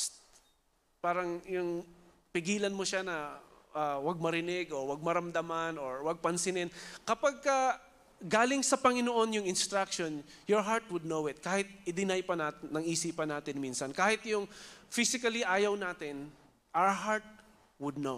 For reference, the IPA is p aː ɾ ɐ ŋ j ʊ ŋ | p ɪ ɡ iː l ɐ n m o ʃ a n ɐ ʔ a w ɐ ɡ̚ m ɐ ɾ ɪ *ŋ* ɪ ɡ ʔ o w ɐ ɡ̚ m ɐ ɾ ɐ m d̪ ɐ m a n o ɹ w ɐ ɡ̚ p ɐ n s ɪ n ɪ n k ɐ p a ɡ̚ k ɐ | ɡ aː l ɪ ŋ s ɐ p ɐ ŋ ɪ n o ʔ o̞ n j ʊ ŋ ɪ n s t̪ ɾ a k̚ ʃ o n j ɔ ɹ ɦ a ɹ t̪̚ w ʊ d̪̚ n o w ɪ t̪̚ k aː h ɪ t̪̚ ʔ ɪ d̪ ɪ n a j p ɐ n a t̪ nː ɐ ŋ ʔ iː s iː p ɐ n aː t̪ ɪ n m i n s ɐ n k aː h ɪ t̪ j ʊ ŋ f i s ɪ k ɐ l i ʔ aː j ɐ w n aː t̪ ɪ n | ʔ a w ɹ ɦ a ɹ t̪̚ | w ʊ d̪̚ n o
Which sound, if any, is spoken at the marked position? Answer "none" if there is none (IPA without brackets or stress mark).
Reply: n